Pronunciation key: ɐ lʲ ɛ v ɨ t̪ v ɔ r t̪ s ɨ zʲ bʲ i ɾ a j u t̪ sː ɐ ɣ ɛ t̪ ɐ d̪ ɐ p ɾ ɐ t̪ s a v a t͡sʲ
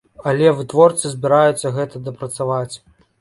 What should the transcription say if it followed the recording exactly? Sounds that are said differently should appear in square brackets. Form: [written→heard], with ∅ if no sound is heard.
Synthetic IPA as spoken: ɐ lʲ ɛ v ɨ t̪ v ɔ r t̪ s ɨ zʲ bʲ i ɾ a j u t̪ sː ɐ ɣ ɛ t̪ ɐ d̪ ɐ p ɾ ɐ t̪ s a v a t͡sʲ